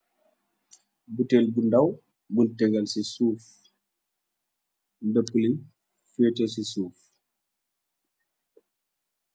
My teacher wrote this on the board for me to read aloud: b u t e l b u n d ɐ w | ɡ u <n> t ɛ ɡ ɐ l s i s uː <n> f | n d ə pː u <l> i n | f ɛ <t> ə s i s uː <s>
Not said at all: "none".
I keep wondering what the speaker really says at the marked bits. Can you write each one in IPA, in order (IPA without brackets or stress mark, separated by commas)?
n, none, l, t, f